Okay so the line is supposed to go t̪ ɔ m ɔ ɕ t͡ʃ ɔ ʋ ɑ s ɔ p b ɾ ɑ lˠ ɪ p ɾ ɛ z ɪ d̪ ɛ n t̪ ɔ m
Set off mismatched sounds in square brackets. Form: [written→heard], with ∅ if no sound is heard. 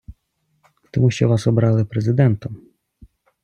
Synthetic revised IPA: t̪ ɔ m [ɔ→u] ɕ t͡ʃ ɔ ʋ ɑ s ɔ [p→∅] b ɾ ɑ lˠ ɪ p ɾ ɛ z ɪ d̪ ɛ n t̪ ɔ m